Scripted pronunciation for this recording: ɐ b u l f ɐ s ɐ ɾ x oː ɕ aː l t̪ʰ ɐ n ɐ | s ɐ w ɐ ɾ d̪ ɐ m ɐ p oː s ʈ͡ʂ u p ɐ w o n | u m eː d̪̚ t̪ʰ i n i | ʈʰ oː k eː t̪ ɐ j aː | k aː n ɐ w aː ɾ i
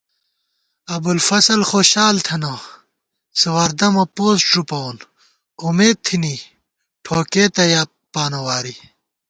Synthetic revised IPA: ɐ b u l f ɐ s ɐ l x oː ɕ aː l t̪ʰ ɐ n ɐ | s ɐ w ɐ ɾ d̪ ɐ m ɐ p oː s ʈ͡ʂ u p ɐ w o n | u m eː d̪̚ t̪ʰ i n i | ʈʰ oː k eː t̪ ɐ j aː | p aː n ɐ w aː ɾ i